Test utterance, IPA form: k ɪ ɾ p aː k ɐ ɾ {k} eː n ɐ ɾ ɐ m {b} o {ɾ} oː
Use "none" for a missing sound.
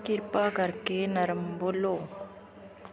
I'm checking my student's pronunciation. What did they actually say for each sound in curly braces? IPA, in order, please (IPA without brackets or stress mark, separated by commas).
k, b, l